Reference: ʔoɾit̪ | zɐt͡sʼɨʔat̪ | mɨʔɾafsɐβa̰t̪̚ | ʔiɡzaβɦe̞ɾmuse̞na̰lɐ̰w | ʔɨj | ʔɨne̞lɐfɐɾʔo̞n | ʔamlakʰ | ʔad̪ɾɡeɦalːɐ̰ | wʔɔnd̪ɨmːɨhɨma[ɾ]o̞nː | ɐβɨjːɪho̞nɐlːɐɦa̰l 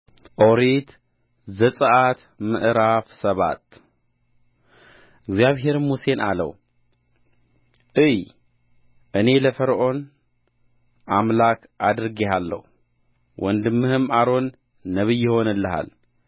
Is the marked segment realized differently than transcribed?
no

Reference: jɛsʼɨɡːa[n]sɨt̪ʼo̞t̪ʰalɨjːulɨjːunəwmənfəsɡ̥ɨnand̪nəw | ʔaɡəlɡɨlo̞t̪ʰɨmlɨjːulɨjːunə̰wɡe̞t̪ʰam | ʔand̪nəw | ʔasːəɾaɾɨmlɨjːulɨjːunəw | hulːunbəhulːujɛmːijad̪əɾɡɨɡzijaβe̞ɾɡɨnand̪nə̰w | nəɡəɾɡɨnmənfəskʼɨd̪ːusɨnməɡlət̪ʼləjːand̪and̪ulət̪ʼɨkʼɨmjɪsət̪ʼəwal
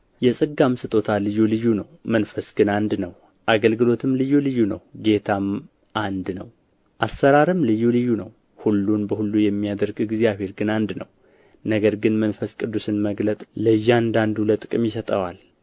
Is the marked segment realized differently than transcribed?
yes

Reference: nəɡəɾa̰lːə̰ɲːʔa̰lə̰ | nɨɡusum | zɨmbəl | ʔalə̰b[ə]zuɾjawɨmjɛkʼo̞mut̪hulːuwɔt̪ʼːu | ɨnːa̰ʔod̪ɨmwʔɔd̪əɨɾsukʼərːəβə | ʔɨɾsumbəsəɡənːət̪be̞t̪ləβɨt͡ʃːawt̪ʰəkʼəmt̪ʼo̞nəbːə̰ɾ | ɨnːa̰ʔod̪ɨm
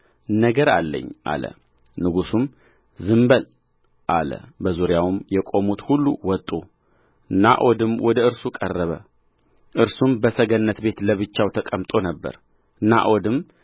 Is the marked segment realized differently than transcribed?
no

